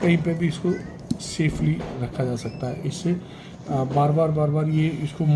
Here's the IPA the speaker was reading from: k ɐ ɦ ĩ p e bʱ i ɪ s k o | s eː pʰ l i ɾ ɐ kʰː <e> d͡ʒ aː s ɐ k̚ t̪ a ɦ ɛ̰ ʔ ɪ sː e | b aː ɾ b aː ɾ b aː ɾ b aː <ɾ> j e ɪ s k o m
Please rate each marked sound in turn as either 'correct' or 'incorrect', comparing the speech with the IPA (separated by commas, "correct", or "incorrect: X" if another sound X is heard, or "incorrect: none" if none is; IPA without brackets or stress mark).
incorrect: a, correct